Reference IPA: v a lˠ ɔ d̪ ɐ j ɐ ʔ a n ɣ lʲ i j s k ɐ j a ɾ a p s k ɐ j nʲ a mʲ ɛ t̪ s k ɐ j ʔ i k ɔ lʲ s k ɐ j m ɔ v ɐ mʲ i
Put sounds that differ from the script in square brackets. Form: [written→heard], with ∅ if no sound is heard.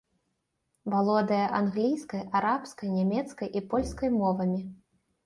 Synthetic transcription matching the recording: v a lˠ ɔ d̪ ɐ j ɐ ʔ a n ɣ lʲ i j s k ɐ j a ɾ a p s k ɐ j nʲ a mʲ ɛ t̪ s k ɐ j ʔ i [k→p] ɔ lʲ s k ɐ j m ɔ v ɐ mʲ i

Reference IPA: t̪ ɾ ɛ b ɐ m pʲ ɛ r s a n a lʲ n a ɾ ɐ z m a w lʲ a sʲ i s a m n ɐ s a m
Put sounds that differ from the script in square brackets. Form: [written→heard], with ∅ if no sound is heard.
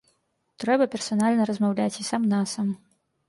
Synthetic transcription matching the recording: t̪ ɾ ɛ b ɐ [m→∅] pʲ ɛ r s a n a lʲ n [a→ɐ] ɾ ɐ z m a w lʲ a [sʲ→t͡sʲ] i s a m n [ɐ→a] s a m

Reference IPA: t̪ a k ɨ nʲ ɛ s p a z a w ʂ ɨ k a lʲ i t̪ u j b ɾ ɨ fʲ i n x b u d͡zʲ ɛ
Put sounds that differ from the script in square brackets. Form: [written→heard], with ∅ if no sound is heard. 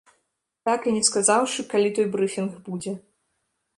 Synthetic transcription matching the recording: t̪ a k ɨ nʲ ɛ s [p→k] a z a w ʂ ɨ k a lʲ i t̪ [u→ɔ] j b ɾ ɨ fʲ i n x b u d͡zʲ ɛ

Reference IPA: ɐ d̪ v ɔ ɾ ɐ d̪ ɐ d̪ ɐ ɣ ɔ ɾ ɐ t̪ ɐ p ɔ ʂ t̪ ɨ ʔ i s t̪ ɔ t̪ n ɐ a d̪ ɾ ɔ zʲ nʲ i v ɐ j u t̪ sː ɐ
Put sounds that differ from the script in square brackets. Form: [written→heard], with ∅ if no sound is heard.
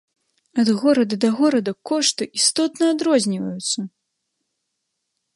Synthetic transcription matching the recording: ɐ d̪ [v→ɣ] ɔ ɾ ɐ d̪ ɐ d̪ ɐ ɣ ɔ ɾ ɐ [t̪→d̪] ɐ [p→k] ɔ ʂ t̪ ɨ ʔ i s t̪ ɔ t̪ n ɐ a d̪ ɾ ɔ zʲ nʲ i v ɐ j u t̪ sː ɐ

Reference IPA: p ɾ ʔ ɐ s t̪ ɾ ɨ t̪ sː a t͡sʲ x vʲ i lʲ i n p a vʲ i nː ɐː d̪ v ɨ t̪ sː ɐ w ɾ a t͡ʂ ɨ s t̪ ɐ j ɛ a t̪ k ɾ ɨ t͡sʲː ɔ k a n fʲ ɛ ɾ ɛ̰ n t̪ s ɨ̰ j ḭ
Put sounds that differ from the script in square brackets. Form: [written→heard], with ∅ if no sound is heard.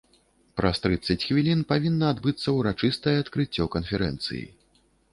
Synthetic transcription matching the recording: p ɾ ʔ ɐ s t̪ ɾ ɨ t̪ sː [a→ɐ] t͡sʲ x vʲ i lʲ i n p a vʲ i nː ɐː d̪ [v→b] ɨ t̪ sː ɐ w ɾ a t͡ʂ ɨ s t̪ ɐ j ɛ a t̪ k ɾ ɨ t͡sʲː ɔ k [a→ɐ] n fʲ ɛ ɾ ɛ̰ n t̪ s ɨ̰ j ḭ

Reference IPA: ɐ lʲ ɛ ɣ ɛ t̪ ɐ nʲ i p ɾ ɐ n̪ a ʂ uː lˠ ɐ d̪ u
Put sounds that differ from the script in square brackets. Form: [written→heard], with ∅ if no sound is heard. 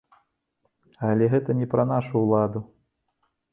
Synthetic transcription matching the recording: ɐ lʲ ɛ ɣ ɛ t̪ ɐ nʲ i p ɾ ɐ n̪ a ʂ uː lˠ [ɐ→a] d̪ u

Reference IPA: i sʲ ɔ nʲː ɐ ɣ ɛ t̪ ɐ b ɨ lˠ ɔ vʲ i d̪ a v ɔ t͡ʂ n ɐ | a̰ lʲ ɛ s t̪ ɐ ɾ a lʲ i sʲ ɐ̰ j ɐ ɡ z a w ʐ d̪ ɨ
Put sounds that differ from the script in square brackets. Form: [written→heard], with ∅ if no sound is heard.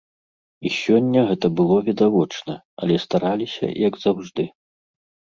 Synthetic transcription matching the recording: i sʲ ɔ nʲː ɐ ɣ ɛ t̪ ɐ b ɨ lˠ ɔ vʲ i d̪ a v ɔ t͡ʂ n ɐ | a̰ lʲ ɛ s t̪ [ɐ→a] ɾ a lʲ i sʲ ɐ̰ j ɐ ɡ z a w ʐ d̪ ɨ

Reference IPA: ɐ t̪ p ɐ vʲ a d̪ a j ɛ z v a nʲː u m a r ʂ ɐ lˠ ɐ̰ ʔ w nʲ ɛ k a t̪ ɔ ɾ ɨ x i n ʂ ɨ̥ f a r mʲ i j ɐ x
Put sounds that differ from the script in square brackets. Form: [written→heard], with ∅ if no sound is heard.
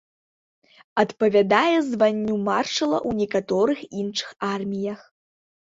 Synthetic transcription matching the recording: ɐ t̪ p ɐ vʲ a d̪ a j ɛ z v a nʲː u m a r ʂ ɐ lˠ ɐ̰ ʔ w nʲ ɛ k a t̪ ɔ ɾ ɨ x i n ʂ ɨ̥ [f→x] a r mʲ i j ɐ x

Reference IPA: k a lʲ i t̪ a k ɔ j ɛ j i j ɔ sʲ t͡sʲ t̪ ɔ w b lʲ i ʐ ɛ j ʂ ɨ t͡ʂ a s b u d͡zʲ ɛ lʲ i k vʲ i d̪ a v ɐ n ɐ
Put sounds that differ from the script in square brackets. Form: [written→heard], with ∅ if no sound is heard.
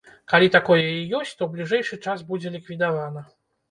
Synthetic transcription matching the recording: k a lʲ i t̪ a k ɔ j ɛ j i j ɔ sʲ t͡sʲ t̪ ɔ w b lʲ i ʐ ɛ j ʂ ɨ t͡ʂ a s b u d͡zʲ ɛ lʲ i k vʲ i d̪ a v [ɐ→a] n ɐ

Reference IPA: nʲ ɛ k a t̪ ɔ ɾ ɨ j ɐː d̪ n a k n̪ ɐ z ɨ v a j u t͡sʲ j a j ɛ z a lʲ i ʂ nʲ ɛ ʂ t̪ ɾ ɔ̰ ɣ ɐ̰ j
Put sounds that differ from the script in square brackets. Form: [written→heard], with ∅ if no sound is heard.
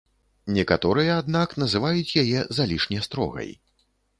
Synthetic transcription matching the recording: nʲ ɛ k a t̪ ɔ ɾ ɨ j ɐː d̪ n a k n̪ ɐ z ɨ v a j u t͡sʲ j a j ɛ z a lʲ i ʂ nʲ ɛ [ʂ→s] t̪ ɾ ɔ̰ ɣ ɐ̰ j

